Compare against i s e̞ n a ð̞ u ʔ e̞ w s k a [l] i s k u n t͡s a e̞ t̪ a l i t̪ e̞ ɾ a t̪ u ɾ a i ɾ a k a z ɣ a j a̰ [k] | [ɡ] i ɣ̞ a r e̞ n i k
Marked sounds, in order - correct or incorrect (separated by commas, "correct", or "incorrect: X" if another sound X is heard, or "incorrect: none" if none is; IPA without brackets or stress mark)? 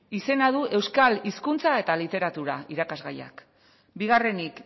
correct, correct, incorrect: b